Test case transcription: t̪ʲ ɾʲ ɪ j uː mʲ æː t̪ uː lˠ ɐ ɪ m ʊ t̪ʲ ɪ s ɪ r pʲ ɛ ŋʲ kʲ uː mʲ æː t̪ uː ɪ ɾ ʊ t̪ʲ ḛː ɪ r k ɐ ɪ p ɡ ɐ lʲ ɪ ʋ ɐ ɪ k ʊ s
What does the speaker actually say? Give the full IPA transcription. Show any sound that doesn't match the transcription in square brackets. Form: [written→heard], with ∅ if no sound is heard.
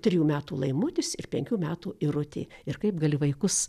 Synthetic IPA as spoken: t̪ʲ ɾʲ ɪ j uː mʲ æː t̪ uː lˠ ɐ ɪ m ʊ t̪ʲ ɪ s ɪ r pʲ ɛ ŋʲ kʲ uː mʲ æː t̪ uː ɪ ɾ ʊ t̪ʲ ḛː ɪ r k ɐ ɪ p ɡ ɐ lʲ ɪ ʋ ɐ ɪ k ʊ s